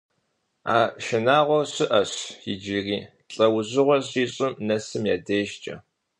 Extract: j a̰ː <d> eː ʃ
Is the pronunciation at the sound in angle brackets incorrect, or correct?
correct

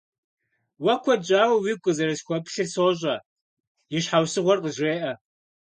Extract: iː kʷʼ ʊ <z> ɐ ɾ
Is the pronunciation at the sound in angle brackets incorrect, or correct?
correct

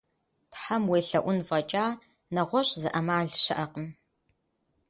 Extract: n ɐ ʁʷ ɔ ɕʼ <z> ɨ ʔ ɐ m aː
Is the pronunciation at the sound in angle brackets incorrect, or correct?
correct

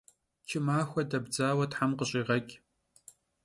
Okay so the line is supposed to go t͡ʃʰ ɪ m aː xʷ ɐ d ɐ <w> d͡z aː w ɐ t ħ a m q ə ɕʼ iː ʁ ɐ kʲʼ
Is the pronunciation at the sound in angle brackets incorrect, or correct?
incorrect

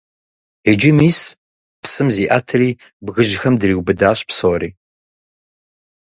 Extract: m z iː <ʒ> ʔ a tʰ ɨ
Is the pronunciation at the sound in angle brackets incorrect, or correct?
incorrect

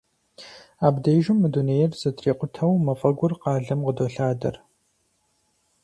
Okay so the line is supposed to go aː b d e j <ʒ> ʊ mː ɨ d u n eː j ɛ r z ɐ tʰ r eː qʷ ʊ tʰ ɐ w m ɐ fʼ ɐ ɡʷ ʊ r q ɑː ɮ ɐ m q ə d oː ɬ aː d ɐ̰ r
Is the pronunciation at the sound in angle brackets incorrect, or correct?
correct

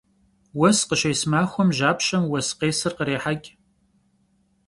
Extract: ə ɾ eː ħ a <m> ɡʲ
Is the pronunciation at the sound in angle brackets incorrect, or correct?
incorrect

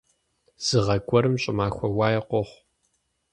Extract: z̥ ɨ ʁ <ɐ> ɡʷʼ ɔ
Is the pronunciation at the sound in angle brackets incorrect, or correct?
correct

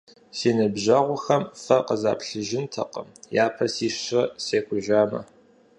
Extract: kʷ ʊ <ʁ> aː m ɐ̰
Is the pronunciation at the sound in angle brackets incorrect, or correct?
incorrect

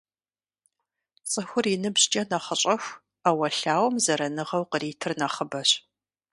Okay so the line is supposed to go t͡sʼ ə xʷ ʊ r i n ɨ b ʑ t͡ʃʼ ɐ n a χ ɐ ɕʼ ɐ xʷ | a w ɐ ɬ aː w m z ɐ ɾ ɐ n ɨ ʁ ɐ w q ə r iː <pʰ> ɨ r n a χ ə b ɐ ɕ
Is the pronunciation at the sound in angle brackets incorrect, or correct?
incorrect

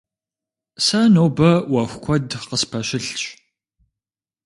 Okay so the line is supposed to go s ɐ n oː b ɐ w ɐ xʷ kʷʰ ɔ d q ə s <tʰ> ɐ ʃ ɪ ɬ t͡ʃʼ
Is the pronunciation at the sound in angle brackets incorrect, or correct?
incorrect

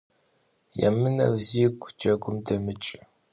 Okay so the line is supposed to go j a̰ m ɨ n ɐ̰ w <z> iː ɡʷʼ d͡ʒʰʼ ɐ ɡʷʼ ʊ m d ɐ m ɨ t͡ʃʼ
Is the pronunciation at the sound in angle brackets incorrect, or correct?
correct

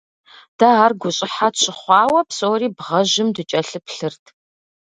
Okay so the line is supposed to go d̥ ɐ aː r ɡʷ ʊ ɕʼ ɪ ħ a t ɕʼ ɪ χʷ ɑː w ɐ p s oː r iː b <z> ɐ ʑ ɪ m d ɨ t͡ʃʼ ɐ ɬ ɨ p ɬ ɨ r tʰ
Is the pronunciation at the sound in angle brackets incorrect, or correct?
incorrect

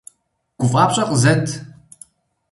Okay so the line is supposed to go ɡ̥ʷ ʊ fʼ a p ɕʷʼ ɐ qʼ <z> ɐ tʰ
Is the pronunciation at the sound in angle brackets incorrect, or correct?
correct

